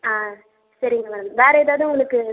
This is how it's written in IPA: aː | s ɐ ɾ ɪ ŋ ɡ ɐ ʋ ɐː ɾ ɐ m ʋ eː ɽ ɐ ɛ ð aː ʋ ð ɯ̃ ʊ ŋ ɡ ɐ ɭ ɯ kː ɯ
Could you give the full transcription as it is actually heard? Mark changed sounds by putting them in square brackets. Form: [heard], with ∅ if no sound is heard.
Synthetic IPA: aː | s ɐ ɾ ɪ ŋ ɡ ɐ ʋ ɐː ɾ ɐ m ʋ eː [ɾ] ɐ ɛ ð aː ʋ ð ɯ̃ ʊ ŋ ɡ ɐ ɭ ɯ kː ɯ